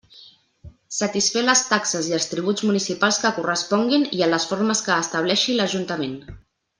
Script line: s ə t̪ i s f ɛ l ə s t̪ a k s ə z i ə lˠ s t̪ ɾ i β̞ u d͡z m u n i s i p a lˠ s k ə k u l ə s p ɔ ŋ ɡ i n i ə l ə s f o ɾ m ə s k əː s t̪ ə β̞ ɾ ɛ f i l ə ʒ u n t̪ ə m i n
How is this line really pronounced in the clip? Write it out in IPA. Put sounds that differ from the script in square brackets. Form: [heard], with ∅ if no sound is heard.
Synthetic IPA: s ə t̪ i s f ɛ l ə s t̪ a k s ə z i ə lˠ s t̪ ɾ i β̞ u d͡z m u n i s i p a lˠ s k ə k u [r] ə s p ɔ ŋ ɡ i n i ə l ə s f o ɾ m ə s k əː s t̪ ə β̞ [l] ɛ [ʃ] i l ə ʒ u n t̪ ə m [e] n